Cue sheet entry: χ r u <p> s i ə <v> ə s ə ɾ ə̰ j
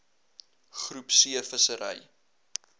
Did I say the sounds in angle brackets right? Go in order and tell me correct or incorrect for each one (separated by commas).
correct, incorrect